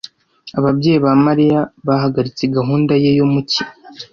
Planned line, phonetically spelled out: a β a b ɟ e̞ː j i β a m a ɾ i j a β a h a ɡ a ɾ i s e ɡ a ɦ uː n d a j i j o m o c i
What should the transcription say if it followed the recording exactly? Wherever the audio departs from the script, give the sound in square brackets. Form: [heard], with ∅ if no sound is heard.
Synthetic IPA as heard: a β a b ɟ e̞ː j i β a m a ɾ i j a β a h a ɡ a ɾ i [t͡s] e ɡ a ɦ uː n d a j [e] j o m [u] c i